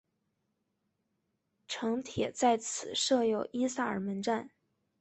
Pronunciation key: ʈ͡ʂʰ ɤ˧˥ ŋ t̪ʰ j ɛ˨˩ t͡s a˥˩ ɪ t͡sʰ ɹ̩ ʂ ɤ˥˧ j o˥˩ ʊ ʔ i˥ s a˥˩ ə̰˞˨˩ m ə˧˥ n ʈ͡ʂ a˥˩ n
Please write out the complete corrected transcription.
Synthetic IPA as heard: ʈ͡ʂʰ ɤ˧˥ ŋ t̪ʰ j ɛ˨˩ t͡s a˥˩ ɪ t͡sʰ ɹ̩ ʂ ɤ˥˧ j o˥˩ ʊ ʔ i˥ s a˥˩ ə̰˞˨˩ m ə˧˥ n ʈ͡ʂ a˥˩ n